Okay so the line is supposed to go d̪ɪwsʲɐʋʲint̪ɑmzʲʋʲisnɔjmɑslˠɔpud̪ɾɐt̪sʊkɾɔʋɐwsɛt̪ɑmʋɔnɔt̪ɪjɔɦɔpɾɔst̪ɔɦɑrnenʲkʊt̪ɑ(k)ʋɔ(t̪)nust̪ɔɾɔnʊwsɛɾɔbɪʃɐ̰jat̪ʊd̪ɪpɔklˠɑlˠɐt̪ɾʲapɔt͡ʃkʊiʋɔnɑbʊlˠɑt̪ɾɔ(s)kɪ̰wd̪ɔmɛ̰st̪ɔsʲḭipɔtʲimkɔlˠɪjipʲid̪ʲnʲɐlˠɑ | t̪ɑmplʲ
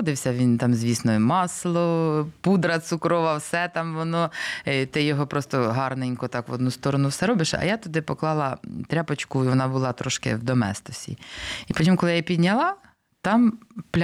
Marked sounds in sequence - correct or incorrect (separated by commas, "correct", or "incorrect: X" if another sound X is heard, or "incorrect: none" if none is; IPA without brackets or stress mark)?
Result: correct, incorrect: d̪, incorrect: ʃ